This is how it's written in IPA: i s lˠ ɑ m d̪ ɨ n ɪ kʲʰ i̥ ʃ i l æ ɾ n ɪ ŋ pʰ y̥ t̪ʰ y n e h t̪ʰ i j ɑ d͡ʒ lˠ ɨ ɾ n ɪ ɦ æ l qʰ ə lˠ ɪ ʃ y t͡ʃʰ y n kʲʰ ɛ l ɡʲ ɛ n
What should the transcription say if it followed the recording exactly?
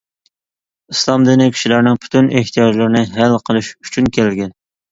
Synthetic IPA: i s lˠ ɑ m d̪ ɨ n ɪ kʲʰ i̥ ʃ i l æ ɾ n ɪ ŋ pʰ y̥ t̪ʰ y n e h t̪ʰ i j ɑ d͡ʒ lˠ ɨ ɾ n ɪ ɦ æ l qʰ ə lˠ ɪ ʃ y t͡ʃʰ y n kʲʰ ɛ l ɡʲ ɛ n